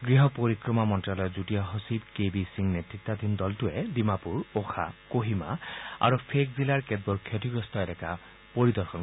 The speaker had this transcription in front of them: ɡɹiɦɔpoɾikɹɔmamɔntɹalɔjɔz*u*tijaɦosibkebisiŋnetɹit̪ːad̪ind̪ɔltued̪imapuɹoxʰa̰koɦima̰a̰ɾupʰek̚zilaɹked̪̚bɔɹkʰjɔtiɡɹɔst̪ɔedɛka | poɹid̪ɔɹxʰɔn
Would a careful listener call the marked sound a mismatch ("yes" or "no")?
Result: no